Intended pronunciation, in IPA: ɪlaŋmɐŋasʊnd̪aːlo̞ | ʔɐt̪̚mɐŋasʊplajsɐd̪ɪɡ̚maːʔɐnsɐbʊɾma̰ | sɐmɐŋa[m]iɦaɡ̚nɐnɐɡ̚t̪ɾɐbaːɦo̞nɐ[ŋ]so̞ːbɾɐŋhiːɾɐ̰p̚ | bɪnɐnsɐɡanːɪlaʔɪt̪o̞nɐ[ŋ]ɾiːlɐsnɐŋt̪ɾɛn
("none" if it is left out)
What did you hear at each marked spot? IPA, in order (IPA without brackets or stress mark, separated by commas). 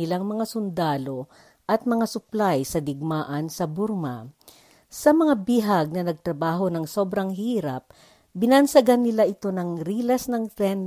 b, ŋ, ŋ